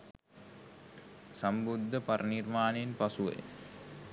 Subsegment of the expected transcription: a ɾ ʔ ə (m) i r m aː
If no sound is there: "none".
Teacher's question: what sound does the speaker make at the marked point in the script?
n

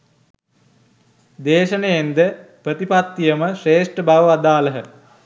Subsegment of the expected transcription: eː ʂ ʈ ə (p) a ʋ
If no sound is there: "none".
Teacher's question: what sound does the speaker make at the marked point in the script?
b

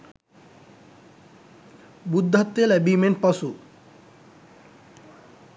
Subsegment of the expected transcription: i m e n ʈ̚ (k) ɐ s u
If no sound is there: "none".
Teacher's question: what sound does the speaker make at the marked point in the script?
p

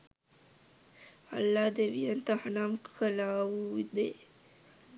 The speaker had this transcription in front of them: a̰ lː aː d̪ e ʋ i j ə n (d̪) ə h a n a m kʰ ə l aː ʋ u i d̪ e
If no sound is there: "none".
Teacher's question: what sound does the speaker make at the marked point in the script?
t̪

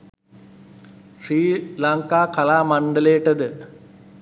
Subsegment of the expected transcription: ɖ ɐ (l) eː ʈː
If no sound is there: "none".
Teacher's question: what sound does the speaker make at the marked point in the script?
l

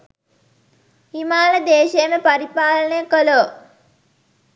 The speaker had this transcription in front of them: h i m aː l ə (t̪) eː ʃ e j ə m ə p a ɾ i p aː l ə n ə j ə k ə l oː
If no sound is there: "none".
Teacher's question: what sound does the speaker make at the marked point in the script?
d̪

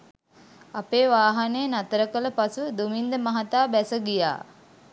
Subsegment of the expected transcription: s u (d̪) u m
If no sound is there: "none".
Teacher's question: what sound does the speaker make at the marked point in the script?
d̪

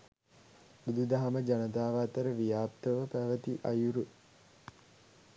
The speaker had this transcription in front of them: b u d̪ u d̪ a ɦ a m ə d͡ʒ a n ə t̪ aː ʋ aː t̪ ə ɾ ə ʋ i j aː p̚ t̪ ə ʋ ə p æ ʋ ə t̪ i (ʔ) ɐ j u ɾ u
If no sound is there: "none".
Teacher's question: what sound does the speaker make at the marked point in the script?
ʔ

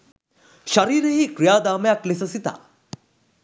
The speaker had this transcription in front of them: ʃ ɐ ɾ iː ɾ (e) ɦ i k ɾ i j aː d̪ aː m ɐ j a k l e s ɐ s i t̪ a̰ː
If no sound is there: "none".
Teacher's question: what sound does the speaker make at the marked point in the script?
e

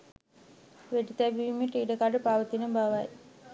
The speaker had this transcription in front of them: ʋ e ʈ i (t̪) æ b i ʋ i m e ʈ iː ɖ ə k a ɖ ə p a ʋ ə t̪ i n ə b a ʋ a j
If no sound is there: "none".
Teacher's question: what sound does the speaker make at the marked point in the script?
t̪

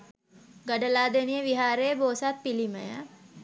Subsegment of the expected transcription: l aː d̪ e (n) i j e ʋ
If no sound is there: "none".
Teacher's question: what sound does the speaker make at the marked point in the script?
n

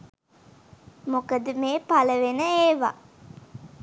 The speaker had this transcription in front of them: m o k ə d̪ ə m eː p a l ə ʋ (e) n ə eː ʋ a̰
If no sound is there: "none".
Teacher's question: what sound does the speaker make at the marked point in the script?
e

